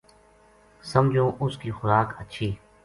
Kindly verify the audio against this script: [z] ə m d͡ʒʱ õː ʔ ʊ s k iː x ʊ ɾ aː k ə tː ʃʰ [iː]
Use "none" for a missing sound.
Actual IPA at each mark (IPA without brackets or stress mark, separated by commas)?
s, iː